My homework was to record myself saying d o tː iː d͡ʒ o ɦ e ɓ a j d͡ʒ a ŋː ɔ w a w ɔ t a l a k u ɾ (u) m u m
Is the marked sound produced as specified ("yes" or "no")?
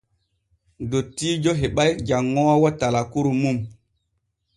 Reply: yes